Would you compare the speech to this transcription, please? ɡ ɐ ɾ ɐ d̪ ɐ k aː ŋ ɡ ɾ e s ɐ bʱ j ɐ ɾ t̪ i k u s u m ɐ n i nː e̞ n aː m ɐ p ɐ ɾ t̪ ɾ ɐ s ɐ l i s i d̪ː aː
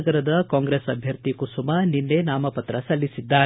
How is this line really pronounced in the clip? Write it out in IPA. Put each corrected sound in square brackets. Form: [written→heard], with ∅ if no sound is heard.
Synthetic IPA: ɡ ɐ ɾ ɐ d̪ ɐ k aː ŋ ɡ ɾ e s ɐ bʱ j ɐ ɾ t̪ i k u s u m ɐ n i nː e̞ n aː m ɐ p ɐ [ɾ→∅] t̪ ɾ ɐ s ɐ [l→lː] i s i d̪ː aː